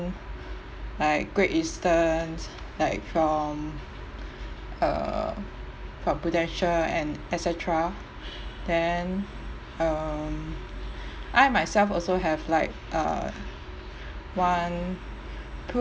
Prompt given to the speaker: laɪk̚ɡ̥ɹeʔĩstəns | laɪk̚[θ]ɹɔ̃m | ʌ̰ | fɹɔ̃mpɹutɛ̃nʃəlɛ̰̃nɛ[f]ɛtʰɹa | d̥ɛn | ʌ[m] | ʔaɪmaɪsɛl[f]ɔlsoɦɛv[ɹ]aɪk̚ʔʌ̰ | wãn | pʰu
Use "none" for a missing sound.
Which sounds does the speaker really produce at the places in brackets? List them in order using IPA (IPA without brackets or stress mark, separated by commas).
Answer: f, s, m, f, l